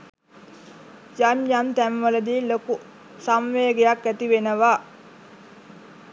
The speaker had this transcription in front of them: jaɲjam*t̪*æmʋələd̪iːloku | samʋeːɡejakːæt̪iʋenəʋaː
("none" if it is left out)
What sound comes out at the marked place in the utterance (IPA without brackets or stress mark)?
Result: t̪